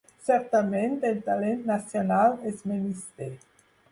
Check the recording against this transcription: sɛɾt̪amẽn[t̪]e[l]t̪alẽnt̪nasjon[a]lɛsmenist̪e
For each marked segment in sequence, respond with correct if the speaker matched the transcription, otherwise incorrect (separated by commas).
correct, correct, correct